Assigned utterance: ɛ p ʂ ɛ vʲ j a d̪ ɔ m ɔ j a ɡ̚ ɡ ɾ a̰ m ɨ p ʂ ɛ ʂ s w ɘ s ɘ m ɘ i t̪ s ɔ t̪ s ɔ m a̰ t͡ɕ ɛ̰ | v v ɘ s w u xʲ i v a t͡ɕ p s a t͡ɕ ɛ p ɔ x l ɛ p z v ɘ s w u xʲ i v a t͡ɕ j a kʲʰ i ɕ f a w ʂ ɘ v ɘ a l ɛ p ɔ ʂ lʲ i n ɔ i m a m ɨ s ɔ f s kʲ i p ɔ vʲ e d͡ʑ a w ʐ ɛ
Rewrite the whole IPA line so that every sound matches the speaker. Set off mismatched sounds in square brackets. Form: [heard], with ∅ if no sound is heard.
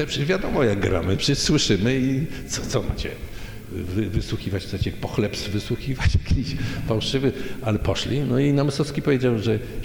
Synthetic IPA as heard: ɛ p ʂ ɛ vʲ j a d̪ ɔ m ɔ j a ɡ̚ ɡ ɾ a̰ m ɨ p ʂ ɛ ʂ s w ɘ [ʂ] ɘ m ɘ i t̪ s ɔ t̪ s ɔ m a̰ t͡ɕ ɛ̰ | v v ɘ s w u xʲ i v a t͡ɕ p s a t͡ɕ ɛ p ɔ x l ɛ p [s] v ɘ s w u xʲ i v a t͡ɕ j a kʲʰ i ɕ f a w ʂ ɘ v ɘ a l ɛ p ɔ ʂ lʲ i n ɔ i [n] a m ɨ s ɔ f s kʲ i p ɔ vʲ e d͡ʑ a w ʐ ɛ